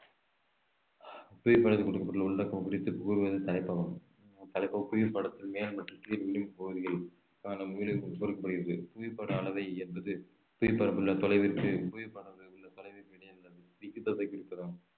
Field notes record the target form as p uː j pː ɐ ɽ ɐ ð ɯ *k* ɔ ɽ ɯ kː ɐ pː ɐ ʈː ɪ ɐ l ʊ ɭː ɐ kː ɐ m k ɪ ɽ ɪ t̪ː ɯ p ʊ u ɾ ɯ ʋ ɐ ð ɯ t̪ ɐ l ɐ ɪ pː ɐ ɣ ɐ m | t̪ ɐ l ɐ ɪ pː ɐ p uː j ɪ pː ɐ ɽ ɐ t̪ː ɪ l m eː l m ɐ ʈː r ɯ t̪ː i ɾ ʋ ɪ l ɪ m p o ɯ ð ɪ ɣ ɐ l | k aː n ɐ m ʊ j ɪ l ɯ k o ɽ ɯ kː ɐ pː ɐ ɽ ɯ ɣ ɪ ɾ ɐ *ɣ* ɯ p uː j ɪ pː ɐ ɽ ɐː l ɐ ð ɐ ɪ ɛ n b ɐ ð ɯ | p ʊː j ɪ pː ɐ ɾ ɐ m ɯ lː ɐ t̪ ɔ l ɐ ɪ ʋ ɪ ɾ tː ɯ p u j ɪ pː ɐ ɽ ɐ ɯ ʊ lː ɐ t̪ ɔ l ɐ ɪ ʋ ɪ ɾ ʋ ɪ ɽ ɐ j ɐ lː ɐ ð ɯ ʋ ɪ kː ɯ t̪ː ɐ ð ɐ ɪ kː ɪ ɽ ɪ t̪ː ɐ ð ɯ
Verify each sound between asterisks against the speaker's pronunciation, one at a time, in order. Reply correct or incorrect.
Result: correct, incorrect

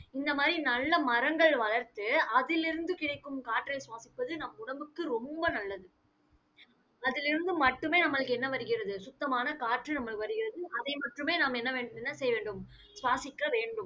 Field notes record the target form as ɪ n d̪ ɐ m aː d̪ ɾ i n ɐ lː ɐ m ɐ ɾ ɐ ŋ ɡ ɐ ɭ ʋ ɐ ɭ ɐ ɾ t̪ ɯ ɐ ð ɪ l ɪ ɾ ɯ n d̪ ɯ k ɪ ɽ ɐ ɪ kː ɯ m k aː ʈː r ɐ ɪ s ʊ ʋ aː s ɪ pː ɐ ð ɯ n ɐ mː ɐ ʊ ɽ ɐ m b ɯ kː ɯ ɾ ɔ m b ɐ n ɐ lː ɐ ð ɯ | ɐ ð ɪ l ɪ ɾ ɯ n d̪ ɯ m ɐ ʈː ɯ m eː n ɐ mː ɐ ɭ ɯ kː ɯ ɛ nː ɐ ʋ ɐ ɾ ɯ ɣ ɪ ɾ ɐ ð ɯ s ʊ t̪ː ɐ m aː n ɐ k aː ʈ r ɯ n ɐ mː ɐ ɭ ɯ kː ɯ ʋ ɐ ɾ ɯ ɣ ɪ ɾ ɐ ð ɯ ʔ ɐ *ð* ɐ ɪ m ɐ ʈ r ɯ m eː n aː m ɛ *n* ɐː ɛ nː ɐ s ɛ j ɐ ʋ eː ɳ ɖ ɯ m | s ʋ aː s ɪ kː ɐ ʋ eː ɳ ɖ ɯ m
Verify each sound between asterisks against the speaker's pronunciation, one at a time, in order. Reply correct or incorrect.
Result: correct, incorrect

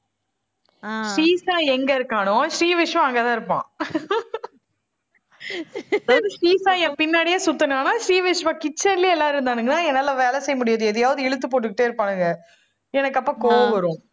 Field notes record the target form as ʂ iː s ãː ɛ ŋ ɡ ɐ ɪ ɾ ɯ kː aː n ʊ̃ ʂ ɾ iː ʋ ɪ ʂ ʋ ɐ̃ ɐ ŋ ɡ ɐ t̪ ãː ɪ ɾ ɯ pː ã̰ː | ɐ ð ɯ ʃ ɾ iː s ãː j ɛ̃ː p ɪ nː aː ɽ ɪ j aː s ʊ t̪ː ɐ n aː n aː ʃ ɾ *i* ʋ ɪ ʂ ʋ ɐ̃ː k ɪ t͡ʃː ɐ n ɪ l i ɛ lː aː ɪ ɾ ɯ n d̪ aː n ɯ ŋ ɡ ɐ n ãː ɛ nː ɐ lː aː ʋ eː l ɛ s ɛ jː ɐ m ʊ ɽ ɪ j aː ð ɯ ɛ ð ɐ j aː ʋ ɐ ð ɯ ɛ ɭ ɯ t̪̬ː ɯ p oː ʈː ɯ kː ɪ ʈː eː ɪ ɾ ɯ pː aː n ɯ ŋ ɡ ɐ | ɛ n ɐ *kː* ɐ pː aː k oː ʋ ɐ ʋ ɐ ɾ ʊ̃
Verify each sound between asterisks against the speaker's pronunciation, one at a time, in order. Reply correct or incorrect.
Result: incorrect, correct

